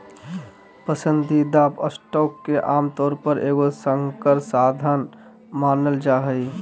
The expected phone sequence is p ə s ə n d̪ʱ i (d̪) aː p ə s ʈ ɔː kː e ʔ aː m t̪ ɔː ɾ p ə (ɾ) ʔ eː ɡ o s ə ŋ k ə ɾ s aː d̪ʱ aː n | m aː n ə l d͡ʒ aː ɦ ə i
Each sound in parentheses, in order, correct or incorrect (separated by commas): correct, correct